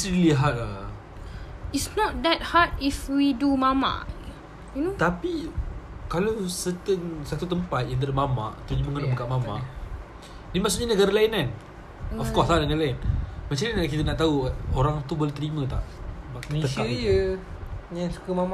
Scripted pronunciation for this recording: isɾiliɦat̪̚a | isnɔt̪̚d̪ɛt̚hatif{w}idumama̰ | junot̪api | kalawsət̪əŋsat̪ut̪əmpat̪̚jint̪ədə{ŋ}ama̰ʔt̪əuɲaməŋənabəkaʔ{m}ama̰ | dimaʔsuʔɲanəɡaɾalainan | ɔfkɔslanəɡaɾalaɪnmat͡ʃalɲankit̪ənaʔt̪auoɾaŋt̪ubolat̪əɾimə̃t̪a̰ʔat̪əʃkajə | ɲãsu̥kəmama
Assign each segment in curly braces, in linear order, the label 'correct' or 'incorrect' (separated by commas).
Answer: correct, incorrect, correct